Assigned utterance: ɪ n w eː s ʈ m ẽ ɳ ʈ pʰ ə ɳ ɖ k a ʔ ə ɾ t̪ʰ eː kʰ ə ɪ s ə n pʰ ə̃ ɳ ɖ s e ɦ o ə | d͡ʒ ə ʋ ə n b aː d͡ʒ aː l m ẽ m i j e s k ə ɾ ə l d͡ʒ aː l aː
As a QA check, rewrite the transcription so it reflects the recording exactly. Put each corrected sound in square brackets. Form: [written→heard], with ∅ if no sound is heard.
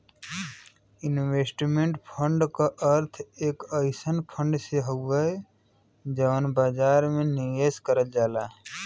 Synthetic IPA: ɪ n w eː s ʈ m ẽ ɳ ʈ pʰ ə ɳ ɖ k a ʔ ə ɾ t̪ʰ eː [kʰ→k] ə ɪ s ə n pʰ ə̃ ɳ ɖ s e ɦ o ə | d͡ʒ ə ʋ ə n b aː d͡ʒ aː [l→ɾ] m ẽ [m→n] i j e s k ə ɾ ə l d͡ʒ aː l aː